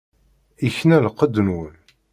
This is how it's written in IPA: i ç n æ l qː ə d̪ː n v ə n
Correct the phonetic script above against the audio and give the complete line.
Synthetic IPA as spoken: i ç n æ l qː ə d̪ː n w ə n